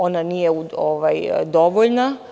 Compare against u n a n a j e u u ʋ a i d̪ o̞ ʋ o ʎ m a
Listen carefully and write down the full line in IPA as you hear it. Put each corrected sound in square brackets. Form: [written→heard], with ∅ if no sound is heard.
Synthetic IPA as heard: [u→o] n a n [a→i] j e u [u→o] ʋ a [i→j] d̪ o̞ ʋ o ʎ [m→n] a